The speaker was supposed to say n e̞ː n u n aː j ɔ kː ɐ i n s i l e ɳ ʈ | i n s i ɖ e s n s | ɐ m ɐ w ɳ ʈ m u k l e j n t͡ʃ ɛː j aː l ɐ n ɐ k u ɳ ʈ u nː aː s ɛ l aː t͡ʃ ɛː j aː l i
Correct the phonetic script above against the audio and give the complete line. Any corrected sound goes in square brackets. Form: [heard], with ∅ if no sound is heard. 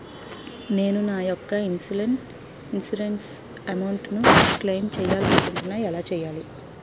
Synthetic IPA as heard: n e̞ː n u n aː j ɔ kː ɐ i n s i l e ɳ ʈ | i n s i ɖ e [∅] n s | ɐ m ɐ w ɳ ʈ [n] u k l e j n t͡ʃ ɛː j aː l ɐ n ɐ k u ɳ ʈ u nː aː [∅] ɛ l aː t͡ʃ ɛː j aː l i